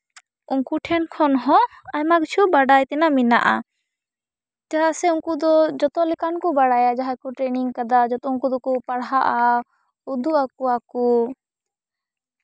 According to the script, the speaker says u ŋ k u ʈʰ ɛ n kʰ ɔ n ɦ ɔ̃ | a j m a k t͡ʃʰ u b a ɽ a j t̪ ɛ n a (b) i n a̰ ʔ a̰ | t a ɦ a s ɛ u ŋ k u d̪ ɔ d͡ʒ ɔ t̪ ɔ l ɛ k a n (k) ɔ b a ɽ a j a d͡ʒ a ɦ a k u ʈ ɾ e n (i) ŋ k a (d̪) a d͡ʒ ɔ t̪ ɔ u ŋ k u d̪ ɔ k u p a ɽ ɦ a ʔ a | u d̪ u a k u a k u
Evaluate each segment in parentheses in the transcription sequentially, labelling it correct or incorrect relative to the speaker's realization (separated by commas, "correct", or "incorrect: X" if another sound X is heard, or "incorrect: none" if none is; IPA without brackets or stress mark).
incorrect: m, correct, correct, correct